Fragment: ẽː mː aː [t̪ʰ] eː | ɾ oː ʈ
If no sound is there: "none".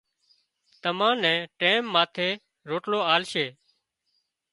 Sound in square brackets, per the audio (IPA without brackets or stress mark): t̪ʰ